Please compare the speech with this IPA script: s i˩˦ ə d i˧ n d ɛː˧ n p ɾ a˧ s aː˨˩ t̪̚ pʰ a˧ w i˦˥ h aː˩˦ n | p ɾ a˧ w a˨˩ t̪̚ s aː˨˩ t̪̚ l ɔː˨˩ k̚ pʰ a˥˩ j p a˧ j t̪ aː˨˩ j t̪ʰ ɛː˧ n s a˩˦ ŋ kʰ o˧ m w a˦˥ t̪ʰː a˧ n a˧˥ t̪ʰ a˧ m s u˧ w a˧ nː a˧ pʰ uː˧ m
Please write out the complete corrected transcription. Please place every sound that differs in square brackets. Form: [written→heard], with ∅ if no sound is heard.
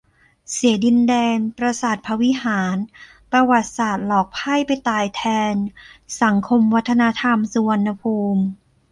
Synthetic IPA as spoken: s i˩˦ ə d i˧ n d ɛː˧ n p ɾ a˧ s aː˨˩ t̪̚ pʰ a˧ w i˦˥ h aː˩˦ n | p ɾ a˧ w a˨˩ t̪̚ s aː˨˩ t̪̚ l ɔː˨˩ k̚ pʰ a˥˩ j p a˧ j t̪ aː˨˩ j t̪ʰ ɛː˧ n s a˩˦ ŋ kʰ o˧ m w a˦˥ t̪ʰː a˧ n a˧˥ t̪ʰ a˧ m s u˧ w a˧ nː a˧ pʰ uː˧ m